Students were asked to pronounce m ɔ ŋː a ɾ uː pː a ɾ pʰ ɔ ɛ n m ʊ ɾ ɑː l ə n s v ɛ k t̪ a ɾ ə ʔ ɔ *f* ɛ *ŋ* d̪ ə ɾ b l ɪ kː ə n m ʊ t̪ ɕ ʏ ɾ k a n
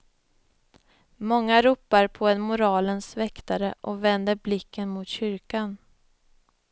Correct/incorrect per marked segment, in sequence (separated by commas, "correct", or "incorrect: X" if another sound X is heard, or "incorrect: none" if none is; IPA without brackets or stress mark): incorrect: v, incorrect: n